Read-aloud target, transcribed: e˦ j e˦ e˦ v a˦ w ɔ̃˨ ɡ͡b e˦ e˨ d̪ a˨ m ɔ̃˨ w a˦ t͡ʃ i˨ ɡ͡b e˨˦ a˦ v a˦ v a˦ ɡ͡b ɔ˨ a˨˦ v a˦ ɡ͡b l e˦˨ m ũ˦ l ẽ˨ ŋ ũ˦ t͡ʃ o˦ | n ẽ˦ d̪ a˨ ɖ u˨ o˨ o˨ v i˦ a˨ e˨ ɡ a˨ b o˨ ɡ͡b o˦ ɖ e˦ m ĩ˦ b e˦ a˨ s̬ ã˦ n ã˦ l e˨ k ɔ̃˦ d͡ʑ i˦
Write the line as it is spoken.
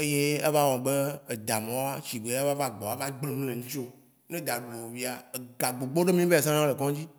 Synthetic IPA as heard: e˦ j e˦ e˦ v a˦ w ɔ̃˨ ɡ͡b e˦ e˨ d̪ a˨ m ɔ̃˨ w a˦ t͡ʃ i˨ ɡ͡b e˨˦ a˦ v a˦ v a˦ ɡ͡b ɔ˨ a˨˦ v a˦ ɡ͡b l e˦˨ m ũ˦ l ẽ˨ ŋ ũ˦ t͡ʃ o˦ | n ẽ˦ d̪ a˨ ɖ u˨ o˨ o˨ v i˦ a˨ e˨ ɡ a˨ ɡ͡b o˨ ɡ͡b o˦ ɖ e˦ m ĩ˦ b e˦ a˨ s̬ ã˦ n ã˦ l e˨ k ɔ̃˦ d͡ʑ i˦